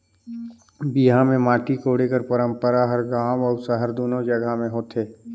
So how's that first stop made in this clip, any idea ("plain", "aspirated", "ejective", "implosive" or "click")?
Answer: plain